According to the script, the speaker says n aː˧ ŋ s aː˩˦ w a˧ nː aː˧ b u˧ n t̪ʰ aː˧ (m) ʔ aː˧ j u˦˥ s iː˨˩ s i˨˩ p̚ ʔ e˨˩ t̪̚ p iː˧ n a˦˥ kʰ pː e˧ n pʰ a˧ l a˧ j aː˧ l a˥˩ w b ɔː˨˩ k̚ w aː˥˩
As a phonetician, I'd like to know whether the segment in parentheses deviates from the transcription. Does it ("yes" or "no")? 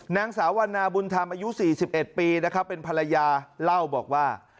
no